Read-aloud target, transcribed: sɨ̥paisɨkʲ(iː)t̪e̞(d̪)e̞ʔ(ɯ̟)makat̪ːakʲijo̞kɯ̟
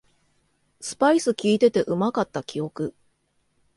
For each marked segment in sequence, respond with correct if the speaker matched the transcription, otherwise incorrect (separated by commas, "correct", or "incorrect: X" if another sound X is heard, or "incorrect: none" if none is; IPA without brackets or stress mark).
correct, incorrect: t̪, correct